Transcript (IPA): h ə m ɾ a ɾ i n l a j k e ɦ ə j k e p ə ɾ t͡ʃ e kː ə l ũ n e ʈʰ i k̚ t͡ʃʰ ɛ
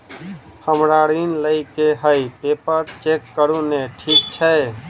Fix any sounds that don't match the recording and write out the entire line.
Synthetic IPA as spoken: h ə m ɾ a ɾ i n l ə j k e ɦ ə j p e p ə ɾ t͡ʃ e kː ə ɾ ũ n e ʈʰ i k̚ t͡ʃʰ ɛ

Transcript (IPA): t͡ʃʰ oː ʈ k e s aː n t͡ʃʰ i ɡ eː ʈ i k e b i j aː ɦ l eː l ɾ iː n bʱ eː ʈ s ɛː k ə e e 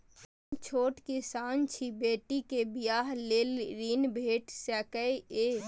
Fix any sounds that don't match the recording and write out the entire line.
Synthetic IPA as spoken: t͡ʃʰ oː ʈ k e s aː n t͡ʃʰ i b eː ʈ i k e b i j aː ɦ l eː l ɾ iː n bʱ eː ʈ s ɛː k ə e e

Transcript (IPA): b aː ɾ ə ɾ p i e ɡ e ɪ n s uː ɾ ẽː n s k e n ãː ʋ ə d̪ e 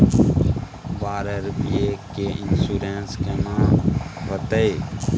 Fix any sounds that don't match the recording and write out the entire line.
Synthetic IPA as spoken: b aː ɾ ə ɾ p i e k e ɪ n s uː ɾ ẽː n s k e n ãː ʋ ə t̪ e

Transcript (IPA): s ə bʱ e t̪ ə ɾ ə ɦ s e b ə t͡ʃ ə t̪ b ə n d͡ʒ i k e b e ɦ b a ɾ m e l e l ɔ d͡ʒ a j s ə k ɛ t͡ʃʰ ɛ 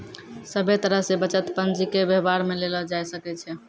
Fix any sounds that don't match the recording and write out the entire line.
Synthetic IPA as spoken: s ə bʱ e t̪ ə ɾ ə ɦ s e b ə t͡ʃ ə t̪ p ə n d͡ʒ i k e b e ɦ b a ɾ m e l e l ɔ d͡ʒ a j s ə k ɛ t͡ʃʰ ɛ

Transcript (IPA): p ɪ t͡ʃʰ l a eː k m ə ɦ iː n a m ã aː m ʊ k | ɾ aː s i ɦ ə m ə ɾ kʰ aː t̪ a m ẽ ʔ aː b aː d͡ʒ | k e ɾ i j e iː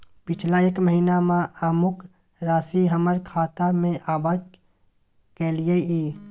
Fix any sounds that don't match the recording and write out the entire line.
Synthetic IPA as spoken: p ɪ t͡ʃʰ l a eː k m ə ɦ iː n a m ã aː m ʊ k | ɾ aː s i ɦ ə m ə ɾ kʰ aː t̪ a m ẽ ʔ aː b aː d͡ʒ | k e l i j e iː

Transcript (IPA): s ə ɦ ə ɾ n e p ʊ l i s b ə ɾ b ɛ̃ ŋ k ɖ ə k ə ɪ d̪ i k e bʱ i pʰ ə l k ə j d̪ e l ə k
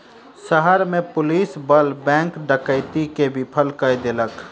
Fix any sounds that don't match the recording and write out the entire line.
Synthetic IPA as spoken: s ə ɦ ə ɾ m e p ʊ l i s b ə l b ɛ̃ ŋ k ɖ ə k ə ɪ t̪ i k e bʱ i pʰ ə l k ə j d̪ e l ə k

